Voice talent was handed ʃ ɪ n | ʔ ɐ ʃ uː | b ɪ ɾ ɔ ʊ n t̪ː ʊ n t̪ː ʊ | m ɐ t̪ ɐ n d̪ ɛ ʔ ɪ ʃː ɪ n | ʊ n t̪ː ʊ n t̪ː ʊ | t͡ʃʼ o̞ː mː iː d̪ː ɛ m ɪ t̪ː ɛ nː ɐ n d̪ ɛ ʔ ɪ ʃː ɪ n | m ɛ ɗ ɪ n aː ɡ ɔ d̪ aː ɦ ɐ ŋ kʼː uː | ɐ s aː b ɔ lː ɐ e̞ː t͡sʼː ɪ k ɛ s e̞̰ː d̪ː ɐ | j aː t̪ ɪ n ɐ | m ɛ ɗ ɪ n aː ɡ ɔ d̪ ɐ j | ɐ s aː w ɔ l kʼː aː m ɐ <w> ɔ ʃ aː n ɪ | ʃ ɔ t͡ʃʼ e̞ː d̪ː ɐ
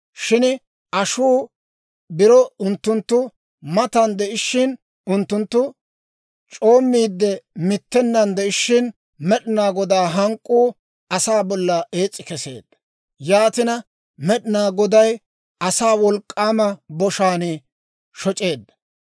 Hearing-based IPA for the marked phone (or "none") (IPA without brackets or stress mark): b